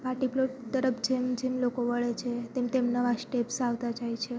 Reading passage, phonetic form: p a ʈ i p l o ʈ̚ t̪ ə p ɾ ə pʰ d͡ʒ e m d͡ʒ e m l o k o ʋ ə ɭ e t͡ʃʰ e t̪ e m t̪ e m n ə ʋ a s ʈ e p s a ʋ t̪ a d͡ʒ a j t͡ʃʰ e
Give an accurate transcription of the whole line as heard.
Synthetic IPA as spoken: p a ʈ i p l o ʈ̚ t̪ ə ɾ ə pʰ d͡ʒ e m d͡ʒ e m l o k o ʋ ə ɭ e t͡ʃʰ e t̪ e m t̪ e m n ə ʋ a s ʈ e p s a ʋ t̪ a d͡ʒ a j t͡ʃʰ e